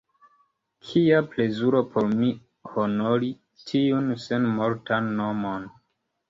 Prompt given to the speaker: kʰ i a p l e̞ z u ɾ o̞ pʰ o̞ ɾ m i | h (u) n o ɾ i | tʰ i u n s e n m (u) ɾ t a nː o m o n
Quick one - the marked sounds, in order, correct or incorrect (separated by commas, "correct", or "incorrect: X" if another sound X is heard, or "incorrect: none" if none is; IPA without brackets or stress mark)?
incorrect: o, incorrect: o